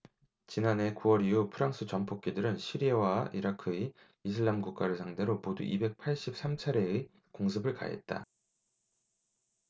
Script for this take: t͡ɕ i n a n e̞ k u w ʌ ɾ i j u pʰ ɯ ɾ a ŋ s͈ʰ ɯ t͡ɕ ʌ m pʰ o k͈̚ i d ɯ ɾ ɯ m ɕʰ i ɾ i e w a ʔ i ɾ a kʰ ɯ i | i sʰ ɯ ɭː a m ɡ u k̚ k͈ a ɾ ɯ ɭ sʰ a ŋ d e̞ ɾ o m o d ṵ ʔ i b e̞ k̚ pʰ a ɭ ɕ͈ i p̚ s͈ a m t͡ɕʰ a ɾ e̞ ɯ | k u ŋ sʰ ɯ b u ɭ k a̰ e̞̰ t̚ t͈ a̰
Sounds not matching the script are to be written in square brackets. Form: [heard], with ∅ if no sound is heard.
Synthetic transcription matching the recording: t͡ɕ i n a n e̞ k u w ʌ ɾ i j u pʰ ɯ ɾ a ŋ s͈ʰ ɯ t͡ɕ ʌ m pʰ o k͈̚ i d ɯ ɾ ɯ [n] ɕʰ i ɾ i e w a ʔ i ɾ a kʰ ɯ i | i sʰ ɯ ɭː a m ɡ u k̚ k͈ a ɾ ɯ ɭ sʰ a ŋ d e̞ ɾ o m o d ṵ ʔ i b e̞ k̚ pʰ a ɭ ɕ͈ i p̚ s͈ a m t͡ɕʰ a ɾ e̞ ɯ | k [o] ŋ sʰ ɯ b [ɯ] ɭ k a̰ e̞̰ t̚ t͈ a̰